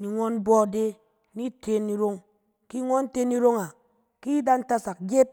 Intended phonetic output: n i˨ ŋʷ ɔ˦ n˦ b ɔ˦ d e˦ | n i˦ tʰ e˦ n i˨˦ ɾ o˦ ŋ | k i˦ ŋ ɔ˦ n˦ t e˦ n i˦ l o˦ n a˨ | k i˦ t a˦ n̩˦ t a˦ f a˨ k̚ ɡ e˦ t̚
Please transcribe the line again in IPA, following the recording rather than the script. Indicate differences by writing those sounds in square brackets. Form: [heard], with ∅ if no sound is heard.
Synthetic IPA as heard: n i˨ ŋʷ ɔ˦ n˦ b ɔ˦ d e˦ | n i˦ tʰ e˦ n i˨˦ ɾ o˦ ŋ | k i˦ ŋ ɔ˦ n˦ t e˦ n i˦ [ɾ] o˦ [ŋ] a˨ | k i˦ [d] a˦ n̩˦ t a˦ [s] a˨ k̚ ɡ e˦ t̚

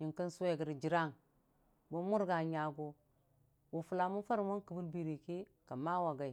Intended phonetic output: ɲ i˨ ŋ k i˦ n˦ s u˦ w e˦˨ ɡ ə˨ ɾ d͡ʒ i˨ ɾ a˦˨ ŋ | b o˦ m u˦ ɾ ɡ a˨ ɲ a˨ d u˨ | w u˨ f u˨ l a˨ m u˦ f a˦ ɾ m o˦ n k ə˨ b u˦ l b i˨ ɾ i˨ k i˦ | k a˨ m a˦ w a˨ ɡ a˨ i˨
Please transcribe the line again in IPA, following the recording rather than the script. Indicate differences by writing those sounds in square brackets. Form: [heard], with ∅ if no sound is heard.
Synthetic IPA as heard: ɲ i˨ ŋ k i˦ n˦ s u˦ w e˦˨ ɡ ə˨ ɾ d͡ʒ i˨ ɾ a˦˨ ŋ | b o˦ m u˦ ɾ ɡ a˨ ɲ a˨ [ɡ] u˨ | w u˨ f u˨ l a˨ m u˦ f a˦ ɾ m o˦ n k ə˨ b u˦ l b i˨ ɾ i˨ k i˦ | k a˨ m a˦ w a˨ ɡ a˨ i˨

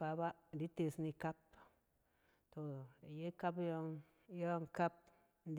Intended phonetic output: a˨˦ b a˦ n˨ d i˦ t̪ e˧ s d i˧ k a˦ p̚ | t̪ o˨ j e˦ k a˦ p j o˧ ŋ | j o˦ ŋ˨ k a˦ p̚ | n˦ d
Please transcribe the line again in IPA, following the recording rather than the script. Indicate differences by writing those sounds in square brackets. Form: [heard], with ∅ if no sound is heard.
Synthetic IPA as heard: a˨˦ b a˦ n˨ d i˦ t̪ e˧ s [n] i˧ k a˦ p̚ | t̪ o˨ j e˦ k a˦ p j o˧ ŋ | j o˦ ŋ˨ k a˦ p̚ | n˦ d

